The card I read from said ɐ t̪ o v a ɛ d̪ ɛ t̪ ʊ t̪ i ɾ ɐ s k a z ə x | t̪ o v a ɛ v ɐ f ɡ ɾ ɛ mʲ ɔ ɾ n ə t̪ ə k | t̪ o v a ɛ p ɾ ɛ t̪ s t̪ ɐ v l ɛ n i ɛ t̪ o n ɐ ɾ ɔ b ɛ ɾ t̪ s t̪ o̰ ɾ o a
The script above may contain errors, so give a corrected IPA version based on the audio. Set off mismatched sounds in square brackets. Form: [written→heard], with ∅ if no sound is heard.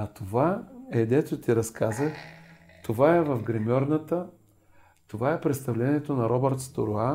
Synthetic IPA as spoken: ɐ t̪ o v a ɛ d̪ ɛ t̪ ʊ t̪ i ɾ ɐ s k a z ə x | t̪ o v a ɛ v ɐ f ɡ ɾ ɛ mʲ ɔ ɾ n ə t̪ ə [k→∅] | t̪ o v a ɛ p ɾ ɛ t̪ s t̪ ɐ v l ɛ n i ɛ t̪ o n ɐ ɾ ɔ b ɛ ɾ t̪ s t̪ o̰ ɾ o a